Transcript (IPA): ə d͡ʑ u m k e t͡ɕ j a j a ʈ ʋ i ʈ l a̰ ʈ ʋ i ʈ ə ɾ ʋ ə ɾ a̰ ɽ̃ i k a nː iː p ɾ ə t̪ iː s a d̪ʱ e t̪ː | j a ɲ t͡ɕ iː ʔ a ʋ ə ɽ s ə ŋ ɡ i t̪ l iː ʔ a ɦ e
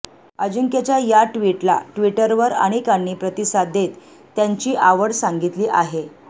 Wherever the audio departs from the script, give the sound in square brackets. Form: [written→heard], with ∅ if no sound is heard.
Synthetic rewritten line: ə d͡ʑ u [m→ŋ] k e t͡ɕ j a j a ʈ ʋ i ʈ l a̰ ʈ ʋ i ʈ ə ɾ ʋ ə ɾ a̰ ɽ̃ i k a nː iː p ɾ ə t̪ [iː→i] s a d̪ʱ e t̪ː | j a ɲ t͡ɕ iː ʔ a ʋ ə ɽ s [ə→a] ŋ ɡ i t̪ l iː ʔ a ɦ e